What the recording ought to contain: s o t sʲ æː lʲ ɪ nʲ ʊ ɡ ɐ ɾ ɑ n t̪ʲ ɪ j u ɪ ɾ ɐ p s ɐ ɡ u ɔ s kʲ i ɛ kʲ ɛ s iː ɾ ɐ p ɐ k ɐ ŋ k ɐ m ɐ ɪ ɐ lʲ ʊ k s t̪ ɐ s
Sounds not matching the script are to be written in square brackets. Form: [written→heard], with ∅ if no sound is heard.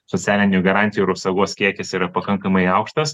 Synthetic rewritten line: s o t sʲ æː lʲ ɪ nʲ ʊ ɡ ɐ ɾ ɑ n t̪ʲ ɪ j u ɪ ɾ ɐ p s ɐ ɡ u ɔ s kʲ i ɛ kʲ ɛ s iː ɾ ɐ p ɐ k ɐ ŋ k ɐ m ɐ ɪ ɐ [lʲ→∅] ʊ k [s→ʃ] t̪ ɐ s